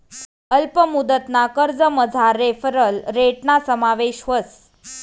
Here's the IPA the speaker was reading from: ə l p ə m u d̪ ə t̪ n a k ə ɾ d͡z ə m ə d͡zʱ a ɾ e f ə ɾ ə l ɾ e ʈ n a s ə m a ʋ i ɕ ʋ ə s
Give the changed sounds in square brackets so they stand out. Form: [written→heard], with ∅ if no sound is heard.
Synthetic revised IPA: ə l p ə m u d̪ ə t̪ n a k ə ɾ d͡z ə m ə d͡zʱ a ɾ e f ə ɾ ə l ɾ e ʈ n a s ə m a ʋ [i→e] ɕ ʋ ə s